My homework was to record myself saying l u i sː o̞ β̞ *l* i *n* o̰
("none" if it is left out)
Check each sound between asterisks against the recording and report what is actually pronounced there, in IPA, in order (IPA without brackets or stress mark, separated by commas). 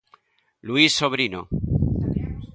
ɾ, n